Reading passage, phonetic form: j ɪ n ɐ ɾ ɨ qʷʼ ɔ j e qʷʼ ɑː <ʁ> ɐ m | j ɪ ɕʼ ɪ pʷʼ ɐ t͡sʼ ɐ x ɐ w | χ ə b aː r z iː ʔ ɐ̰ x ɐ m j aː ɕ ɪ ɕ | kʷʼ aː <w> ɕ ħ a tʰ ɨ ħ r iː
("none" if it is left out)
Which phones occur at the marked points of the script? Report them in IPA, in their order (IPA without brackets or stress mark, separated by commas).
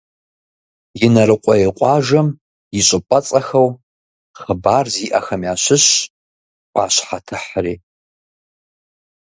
ʒ, none